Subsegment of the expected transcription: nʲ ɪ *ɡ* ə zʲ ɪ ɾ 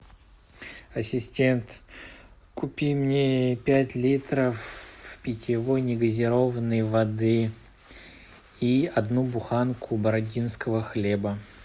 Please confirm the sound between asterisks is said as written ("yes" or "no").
yes